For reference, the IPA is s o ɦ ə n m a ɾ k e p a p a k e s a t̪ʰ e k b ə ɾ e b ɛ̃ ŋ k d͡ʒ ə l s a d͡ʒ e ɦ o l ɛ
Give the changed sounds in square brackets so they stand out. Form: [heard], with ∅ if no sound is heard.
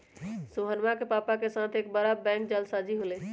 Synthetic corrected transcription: s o ɦ ə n m a [∅] k e p a p a k e s a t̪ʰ e k b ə ɾ [a] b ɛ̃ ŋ k d͡ʒ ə l s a d͡ʒ [i] ɦ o l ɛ